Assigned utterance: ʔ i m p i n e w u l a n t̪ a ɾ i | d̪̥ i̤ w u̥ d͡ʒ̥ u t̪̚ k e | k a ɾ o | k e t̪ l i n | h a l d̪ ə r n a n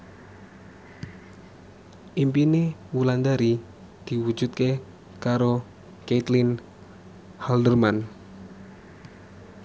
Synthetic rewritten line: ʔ i m p i n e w u l a n d̪ a ɾ i | d̪̥ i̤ w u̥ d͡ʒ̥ u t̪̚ k e | k a ɾ o | k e t̪ l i n | h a l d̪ ə r m a n